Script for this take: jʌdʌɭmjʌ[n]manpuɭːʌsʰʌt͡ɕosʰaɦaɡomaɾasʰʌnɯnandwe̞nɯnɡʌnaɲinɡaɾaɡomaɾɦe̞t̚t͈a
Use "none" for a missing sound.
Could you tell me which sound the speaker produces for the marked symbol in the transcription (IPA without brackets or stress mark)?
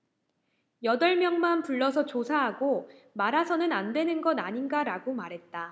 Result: ŋ